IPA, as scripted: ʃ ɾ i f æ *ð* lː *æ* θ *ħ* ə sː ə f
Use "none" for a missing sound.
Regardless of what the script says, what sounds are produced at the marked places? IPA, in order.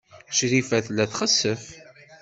θ, æ, χ

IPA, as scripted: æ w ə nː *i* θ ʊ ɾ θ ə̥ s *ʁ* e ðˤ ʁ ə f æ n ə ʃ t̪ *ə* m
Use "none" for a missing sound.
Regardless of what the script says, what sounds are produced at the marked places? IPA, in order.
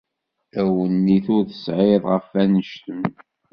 i, ʕ, ə

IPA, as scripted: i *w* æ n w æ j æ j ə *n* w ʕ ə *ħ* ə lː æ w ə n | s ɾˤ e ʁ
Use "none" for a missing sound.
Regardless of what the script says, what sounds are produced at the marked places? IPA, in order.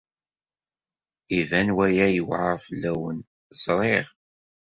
v, none, f

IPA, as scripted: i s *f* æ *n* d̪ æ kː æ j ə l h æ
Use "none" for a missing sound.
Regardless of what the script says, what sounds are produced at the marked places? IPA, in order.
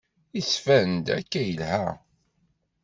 f, n

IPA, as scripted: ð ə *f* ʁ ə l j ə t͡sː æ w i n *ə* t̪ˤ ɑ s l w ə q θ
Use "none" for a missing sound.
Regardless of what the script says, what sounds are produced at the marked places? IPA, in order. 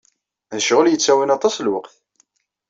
ʃ, ɑ

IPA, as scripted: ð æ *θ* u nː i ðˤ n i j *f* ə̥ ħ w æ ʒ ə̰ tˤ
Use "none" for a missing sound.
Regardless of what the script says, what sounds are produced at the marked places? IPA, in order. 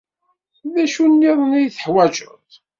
ʃ, θ

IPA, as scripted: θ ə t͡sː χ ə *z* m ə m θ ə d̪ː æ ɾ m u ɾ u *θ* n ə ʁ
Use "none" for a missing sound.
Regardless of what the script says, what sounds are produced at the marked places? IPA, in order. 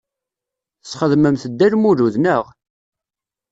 ð, ð

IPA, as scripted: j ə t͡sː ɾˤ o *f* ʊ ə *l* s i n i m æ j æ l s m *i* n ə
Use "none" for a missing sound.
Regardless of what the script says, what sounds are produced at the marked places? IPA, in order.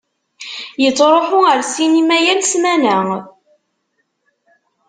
ħ, ɾ, æ

